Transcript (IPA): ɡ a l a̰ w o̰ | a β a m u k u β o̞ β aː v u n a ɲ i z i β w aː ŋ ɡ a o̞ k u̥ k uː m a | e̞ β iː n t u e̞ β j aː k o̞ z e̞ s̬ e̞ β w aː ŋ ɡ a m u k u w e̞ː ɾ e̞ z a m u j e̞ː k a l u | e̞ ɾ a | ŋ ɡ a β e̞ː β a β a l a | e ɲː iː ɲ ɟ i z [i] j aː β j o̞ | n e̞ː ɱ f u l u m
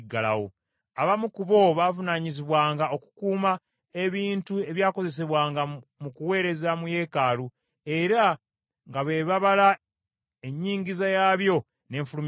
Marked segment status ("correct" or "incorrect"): incorrect